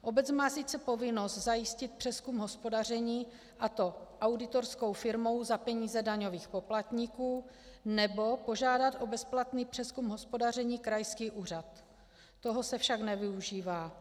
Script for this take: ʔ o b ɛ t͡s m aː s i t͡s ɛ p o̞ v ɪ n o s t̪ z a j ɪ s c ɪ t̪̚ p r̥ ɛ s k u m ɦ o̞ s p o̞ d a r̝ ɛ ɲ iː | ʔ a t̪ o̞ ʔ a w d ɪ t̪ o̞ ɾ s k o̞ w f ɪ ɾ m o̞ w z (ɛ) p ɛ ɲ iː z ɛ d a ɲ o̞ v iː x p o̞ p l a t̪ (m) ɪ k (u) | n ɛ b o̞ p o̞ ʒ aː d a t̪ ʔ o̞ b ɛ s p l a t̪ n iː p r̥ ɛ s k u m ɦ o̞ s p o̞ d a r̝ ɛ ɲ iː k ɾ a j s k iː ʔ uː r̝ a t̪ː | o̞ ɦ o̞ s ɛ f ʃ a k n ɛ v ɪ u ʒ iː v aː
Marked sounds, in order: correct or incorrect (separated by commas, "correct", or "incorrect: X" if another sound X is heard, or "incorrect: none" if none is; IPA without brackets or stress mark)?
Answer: incorrect: a, incorrect: ɲ, incorrect: uː